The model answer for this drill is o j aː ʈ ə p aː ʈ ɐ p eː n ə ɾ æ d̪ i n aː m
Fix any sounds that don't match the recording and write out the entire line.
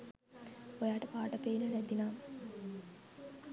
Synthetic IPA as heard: o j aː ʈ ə p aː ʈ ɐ p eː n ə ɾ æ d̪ i n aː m